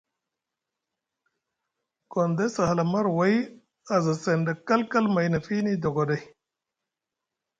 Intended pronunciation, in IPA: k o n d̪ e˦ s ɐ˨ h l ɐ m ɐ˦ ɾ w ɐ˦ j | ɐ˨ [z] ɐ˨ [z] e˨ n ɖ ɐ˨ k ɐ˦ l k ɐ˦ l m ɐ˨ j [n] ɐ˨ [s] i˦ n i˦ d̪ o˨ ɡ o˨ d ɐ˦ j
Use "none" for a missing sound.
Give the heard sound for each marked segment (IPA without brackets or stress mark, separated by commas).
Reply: z, s, n, f